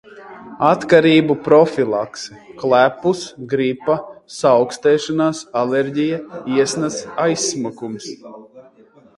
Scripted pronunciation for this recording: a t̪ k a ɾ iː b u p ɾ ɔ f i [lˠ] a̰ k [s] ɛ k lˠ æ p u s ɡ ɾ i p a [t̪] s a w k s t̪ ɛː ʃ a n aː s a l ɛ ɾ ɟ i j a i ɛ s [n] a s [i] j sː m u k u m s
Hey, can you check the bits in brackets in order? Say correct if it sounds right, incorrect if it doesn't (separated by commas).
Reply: correct, correct, incorrect, correct, incorrect